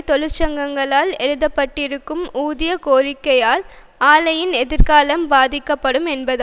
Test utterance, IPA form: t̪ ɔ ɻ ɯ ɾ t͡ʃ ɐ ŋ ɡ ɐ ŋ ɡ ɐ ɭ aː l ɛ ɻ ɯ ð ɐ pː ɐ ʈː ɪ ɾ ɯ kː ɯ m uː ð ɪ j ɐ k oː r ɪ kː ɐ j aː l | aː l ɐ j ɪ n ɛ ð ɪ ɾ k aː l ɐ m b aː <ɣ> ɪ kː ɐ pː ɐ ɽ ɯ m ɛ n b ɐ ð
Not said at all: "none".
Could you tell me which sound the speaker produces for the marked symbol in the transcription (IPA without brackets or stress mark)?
ð